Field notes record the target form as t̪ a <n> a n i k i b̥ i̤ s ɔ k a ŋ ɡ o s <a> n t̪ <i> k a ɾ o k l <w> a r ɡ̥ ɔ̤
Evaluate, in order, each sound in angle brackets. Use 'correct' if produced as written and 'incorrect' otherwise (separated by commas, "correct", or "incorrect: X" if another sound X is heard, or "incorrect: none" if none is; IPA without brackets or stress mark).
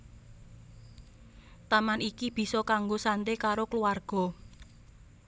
incorrect: m, correct, incorrect: e, incorrect: u